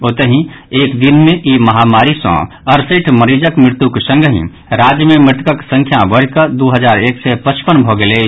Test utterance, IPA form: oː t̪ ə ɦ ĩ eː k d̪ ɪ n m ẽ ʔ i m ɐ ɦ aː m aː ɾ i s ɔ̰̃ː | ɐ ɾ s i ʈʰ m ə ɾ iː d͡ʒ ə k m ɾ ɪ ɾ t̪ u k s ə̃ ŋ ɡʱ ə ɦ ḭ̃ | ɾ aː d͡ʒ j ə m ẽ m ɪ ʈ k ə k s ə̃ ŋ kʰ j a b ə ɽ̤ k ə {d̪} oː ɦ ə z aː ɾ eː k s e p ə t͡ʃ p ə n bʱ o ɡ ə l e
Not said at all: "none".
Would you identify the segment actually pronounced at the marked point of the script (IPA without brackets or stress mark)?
d̪